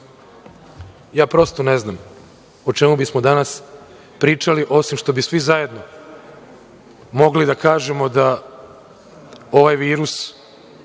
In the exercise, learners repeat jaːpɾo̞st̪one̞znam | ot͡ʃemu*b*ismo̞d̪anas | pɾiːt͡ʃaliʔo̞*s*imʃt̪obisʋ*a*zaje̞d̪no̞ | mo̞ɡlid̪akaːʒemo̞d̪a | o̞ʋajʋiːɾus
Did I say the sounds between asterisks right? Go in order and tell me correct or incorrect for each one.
correct, correct, incorrect

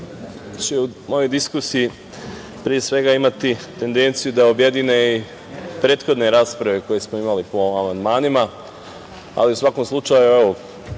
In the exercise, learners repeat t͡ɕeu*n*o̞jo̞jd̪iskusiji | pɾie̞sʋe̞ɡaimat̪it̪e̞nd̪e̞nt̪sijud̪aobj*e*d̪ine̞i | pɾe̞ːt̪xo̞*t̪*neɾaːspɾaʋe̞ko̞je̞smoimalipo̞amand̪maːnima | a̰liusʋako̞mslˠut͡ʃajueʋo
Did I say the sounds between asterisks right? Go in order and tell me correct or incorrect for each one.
incorrect, correct, incorrect

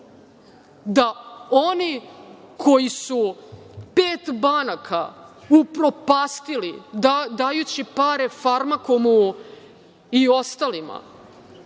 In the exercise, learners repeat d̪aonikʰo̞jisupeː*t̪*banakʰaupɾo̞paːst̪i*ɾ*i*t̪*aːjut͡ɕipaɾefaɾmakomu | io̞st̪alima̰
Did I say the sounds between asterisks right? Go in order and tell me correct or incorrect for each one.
correct, incorrect, incorrect

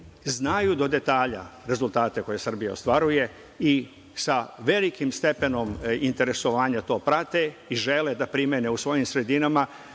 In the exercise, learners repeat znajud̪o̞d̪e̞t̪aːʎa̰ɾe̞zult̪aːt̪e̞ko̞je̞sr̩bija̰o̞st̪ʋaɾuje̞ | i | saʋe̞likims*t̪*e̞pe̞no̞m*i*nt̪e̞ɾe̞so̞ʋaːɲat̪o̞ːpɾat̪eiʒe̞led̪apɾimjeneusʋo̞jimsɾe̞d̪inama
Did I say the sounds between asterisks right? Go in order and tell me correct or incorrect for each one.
correct, correct

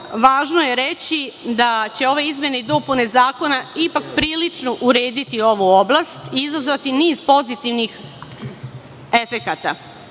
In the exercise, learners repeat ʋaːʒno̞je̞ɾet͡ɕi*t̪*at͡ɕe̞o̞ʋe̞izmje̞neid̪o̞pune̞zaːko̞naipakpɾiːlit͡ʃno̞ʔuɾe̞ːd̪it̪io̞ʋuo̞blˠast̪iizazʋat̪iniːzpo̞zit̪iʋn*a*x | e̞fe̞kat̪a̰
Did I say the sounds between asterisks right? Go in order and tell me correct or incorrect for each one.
incorrect, incorrect

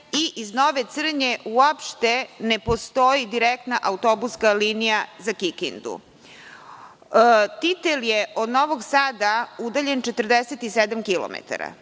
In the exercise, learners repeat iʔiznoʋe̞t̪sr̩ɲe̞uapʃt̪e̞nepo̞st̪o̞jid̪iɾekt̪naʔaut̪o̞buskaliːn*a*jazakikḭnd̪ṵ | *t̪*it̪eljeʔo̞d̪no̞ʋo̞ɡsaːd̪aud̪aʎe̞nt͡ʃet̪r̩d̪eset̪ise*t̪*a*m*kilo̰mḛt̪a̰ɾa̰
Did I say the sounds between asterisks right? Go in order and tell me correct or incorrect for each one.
incorrect, correct, incorrect, correct

